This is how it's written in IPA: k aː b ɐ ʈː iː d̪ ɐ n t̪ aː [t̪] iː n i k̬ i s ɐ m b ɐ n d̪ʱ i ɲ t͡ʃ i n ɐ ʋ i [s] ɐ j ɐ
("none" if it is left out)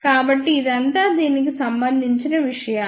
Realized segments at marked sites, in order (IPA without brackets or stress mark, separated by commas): d̪, ʂ